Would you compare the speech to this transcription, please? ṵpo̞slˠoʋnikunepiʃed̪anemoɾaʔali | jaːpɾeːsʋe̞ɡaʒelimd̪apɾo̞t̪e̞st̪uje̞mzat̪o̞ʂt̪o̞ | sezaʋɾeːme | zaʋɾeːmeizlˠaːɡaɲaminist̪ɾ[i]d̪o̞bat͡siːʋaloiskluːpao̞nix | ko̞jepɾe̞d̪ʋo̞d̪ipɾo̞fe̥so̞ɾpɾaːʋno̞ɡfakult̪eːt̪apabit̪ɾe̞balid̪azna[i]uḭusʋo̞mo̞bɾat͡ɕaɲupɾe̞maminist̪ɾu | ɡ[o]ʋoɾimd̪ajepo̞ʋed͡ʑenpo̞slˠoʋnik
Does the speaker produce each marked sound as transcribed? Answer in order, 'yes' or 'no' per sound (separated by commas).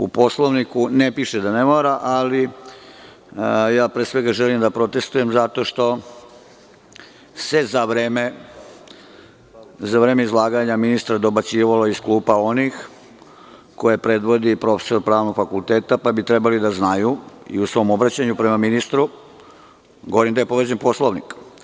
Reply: no, no, yes